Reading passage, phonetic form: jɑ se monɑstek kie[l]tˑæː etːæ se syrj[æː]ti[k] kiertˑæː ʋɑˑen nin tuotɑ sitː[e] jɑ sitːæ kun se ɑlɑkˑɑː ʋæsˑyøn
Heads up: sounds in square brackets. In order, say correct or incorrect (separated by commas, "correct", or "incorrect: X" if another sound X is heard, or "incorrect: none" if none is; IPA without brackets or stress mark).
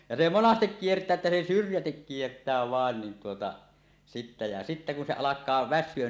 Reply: incorrect: r, incorrect: æ, correct, incorrect: æ